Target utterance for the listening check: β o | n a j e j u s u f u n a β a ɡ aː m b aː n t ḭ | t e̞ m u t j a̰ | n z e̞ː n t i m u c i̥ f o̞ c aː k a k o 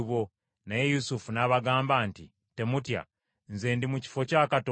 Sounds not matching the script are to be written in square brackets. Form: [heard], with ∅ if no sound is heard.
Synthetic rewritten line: β o | n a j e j u s u f u n a β a ɡ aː m b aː n t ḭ | t e̞ m u t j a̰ | n z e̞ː n [d] i m u c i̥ f o̞ c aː k a [t] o